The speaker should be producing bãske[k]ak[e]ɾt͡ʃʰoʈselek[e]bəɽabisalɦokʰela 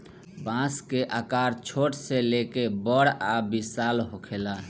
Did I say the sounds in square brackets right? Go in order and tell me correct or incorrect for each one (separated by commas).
incorrect, incorrect, correct